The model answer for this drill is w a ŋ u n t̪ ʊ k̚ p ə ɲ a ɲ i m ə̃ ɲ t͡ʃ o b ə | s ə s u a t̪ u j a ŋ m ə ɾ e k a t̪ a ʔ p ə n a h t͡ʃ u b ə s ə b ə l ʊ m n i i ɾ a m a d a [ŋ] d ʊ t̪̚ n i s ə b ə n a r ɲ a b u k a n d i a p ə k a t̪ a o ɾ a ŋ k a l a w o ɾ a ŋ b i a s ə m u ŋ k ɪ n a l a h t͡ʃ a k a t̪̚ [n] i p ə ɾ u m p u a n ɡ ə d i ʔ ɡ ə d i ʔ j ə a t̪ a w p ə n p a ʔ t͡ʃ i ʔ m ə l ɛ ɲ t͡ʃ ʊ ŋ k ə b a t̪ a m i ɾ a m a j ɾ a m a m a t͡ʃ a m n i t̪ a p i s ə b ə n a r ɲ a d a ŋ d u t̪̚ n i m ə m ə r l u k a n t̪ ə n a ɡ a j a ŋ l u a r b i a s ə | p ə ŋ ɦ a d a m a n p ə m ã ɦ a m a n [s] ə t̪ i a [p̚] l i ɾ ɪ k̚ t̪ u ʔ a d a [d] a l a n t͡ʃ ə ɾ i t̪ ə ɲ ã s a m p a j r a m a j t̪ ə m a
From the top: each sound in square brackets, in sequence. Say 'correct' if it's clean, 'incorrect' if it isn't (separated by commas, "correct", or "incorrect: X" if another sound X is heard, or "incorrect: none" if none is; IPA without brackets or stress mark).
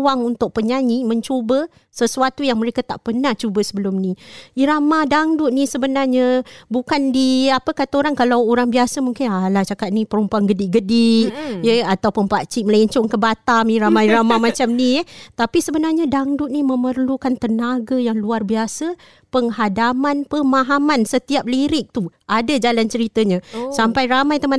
correct, correct, correct, correct, incorrect: d͡ʒ